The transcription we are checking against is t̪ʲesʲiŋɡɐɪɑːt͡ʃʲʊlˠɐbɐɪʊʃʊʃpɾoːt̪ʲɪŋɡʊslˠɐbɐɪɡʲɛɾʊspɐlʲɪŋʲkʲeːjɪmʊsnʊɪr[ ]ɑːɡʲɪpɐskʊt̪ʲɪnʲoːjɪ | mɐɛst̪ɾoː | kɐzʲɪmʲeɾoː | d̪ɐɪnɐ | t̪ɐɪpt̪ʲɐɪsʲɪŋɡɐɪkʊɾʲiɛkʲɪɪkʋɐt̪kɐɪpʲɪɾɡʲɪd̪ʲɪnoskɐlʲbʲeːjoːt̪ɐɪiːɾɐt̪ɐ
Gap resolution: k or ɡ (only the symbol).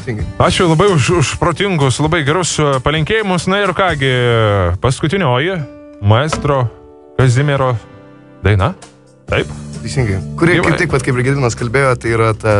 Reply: k